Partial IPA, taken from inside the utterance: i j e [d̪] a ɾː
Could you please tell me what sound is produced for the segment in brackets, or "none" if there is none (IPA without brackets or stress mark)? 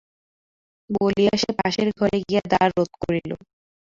d̪